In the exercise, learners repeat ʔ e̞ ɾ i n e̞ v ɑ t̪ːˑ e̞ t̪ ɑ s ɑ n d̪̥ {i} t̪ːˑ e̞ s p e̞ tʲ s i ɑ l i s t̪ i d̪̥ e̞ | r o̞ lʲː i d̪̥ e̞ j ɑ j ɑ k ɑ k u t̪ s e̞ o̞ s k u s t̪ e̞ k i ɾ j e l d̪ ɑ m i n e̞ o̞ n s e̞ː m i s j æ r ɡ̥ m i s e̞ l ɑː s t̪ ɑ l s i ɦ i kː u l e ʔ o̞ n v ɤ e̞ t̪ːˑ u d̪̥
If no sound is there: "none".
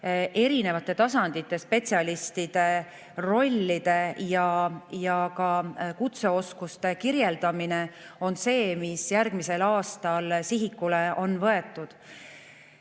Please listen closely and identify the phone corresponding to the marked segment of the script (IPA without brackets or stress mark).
i